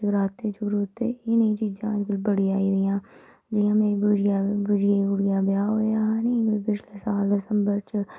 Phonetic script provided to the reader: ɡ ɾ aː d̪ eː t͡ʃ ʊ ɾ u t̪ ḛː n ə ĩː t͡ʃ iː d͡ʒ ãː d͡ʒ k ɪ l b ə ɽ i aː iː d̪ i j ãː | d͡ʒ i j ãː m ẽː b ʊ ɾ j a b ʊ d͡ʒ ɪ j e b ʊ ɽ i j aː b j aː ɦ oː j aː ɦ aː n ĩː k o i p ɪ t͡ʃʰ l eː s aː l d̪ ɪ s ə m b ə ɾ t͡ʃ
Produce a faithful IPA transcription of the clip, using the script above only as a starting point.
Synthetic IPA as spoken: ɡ ɾ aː t̪ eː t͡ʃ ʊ ɾ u t̪ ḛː n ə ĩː t͡ʃ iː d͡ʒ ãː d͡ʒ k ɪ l b ə ɽ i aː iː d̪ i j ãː | d͡ʒ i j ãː m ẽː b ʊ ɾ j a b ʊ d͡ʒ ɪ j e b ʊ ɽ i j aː b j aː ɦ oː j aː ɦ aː n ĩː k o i p ɪ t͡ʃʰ l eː s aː l d̪ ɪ s ə m b ə ɾ t͡ʃ